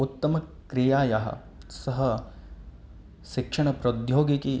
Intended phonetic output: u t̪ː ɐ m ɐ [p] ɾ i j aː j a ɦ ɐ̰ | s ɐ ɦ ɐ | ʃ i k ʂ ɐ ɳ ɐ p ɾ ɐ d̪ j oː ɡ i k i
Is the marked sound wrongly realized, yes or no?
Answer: yes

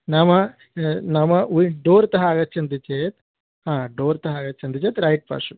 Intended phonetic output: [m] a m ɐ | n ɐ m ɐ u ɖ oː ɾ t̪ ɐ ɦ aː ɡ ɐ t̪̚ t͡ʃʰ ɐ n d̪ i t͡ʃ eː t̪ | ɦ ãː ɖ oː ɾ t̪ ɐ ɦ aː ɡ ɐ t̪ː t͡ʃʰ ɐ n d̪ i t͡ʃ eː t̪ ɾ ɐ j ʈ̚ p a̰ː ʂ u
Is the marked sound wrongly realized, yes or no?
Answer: yes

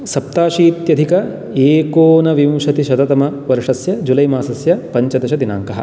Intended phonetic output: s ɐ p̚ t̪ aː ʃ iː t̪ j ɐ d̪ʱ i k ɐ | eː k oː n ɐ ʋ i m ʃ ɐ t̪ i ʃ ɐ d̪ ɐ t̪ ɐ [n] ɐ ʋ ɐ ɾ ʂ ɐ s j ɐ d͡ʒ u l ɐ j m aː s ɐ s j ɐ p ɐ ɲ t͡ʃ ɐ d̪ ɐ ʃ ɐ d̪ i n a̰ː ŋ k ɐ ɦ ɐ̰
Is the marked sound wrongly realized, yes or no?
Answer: yes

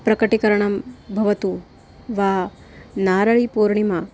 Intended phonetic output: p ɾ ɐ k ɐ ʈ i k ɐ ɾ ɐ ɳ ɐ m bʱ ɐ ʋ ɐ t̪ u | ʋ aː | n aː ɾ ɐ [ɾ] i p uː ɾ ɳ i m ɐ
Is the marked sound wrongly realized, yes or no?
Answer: yes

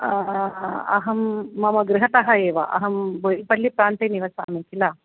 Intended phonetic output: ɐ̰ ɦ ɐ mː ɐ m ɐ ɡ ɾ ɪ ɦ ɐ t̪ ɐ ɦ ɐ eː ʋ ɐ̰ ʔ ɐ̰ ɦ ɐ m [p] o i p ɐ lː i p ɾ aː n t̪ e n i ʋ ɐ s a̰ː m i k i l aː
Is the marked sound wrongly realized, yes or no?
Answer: yes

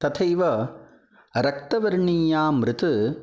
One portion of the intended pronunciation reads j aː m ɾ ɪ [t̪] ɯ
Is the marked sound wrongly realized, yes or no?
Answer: no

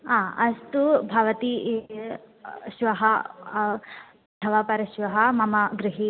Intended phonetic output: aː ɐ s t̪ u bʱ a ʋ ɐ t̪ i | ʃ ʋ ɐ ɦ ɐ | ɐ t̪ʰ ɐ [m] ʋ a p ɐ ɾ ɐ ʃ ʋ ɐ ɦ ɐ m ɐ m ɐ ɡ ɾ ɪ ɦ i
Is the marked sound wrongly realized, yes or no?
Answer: yes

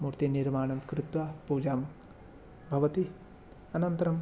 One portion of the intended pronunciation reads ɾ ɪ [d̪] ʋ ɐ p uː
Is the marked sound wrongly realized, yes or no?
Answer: yes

